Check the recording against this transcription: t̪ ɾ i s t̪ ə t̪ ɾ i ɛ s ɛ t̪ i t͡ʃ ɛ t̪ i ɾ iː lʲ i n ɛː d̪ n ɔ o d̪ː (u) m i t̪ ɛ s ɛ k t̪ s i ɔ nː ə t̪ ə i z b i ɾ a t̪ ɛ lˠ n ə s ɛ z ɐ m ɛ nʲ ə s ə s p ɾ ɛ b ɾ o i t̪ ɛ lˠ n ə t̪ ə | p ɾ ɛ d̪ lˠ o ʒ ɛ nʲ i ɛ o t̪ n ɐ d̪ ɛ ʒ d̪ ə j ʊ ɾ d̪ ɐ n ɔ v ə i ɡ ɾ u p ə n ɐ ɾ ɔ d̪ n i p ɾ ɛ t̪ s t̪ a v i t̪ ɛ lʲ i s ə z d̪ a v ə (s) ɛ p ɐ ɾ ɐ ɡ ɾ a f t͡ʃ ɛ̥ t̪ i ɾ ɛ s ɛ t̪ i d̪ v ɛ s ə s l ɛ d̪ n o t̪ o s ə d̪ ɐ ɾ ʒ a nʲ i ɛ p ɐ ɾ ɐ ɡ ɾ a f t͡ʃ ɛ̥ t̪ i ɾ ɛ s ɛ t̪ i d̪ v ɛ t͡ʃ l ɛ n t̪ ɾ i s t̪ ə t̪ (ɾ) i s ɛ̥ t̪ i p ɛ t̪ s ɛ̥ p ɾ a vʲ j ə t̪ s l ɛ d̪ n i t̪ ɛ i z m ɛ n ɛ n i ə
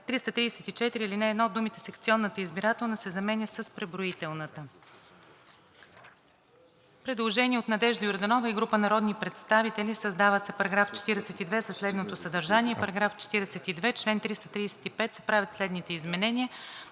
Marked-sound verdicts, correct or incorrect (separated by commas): correct, correct, correct